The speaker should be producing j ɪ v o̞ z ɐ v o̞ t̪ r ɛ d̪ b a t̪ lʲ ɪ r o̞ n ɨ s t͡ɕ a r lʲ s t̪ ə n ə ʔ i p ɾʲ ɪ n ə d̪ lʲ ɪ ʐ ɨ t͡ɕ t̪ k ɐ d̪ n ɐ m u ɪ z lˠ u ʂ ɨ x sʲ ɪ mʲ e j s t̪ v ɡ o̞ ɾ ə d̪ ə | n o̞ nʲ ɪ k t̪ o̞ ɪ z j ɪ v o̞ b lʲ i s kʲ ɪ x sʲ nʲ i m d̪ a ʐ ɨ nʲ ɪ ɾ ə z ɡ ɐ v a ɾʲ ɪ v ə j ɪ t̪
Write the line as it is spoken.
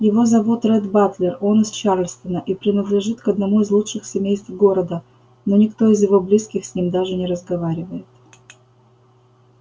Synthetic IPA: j ɪ v o̞ z ɐ v o̞ t̪ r ɛ d̪ b a t̪ lʲ ɪ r o̞ n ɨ s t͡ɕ a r lʲ s t̪ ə n ə ʔ i p ɾʲ ɪ n ə d̪ lʲ ɪ ʐ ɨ t̪ k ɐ d̪ n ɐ m u ɪ z lˠ u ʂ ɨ x sʲ ɪ mʲ e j s t̪ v ɡ o̞ ɾ ə d̪ ə | n o̞ nʲ ɪ k t̪ o̞ ɪ z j ɪ v o̞ b lʲ i s kʲ ɪ x sʲ nʲ i m d̪ a ʐ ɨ nʲ ɪ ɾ ə z ɡ ɐ v a ɾʲ ɪ v ə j ɪ t̪